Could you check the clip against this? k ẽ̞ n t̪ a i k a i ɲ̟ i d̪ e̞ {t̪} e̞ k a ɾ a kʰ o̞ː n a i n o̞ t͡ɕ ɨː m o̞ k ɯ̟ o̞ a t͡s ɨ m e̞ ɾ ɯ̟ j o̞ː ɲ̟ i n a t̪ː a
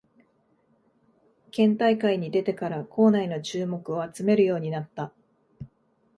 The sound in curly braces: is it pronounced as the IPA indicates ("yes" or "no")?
yes